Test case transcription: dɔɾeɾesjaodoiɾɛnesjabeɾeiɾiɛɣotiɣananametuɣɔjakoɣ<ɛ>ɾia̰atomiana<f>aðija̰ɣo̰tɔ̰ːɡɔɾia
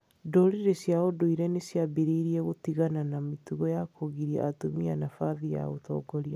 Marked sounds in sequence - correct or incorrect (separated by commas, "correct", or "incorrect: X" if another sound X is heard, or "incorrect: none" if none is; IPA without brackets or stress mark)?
incorrect: i, correct